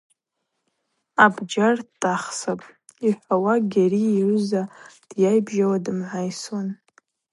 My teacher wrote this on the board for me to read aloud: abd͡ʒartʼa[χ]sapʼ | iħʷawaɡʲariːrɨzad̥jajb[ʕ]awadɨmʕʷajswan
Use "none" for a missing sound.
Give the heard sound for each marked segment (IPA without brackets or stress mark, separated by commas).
χ, ʒ